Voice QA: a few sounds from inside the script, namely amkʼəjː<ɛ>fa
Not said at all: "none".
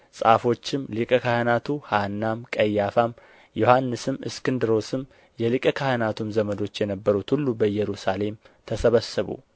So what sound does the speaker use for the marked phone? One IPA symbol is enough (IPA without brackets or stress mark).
a